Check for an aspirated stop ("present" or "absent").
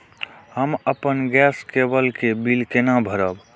absent